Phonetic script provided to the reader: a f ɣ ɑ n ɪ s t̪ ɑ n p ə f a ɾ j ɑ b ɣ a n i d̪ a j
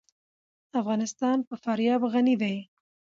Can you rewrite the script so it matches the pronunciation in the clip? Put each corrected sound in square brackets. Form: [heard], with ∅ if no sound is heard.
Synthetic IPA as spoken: a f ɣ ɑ n ɪ s t̪ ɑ n p ə f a ɾ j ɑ b ɣ a n i d̪ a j